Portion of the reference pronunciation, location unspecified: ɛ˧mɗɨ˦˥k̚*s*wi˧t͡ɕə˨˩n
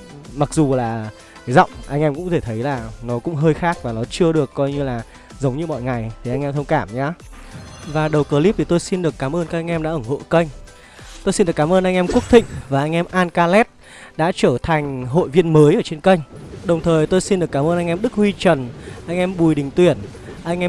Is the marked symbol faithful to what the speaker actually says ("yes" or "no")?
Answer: no